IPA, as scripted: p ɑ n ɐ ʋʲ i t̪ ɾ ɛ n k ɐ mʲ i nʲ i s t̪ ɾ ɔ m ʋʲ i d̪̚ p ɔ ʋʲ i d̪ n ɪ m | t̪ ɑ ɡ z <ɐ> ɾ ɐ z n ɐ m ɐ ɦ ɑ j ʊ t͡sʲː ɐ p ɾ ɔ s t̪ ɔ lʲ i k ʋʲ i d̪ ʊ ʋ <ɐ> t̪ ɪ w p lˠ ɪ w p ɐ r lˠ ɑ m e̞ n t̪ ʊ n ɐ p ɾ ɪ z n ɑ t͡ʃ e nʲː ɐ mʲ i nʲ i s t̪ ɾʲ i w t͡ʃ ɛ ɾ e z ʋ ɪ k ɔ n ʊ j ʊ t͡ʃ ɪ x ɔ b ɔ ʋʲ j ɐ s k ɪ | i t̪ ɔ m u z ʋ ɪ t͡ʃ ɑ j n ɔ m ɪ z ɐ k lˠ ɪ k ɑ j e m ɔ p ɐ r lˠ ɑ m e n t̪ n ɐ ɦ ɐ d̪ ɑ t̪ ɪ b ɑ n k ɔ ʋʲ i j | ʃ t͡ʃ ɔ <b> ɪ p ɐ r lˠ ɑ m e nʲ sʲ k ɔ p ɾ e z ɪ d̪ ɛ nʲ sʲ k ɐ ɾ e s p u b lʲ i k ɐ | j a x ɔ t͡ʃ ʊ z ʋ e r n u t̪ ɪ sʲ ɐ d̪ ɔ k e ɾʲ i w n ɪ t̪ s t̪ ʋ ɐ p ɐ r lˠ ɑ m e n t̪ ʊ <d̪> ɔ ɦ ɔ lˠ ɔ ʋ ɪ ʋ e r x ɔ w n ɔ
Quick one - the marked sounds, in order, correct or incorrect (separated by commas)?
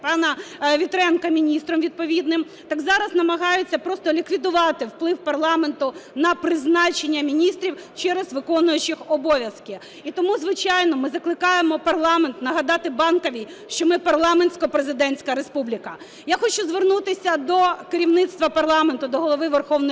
incorrect, incorrect, incorrect, correct